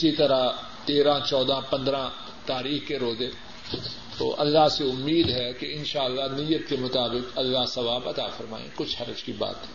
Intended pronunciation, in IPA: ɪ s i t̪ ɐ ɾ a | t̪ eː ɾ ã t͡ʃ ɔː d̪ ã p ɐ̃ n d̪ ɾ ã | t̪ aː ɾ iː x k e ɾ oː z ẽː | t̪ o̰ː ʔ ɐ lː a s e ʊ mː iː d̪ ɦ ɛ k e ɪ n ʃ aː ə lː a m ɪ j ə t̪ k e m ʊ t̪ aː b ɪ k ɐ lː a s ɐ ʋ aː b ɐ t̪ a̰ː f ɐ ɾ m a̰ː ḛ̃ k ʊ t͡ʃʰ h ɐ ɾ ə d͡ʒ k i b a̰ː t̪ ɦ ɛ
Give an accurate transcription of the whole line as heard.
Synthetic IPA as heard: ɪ s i t̪ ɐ ɾ a | t̪ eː ɾ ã t͡ʃ ɔː d̪ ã p ɐ̃ n d̪ ɾ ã | t̪ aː ɾ iː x k e ɾ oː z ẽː | t̪ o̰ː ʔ ɐ lː a s e ʊ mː iː d̪ ɦ ɛ k e ɪ n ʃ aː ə lː a n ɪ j ə t̪ k e m ʊ t̪ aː b ɪ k ɐ lː a s ɐ ʋ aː b ɐ t̪ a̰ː f ɐ ɾ m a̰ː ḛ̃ k ʊ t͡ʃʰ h ɐ ɾ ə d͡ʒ k i b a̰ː t̪ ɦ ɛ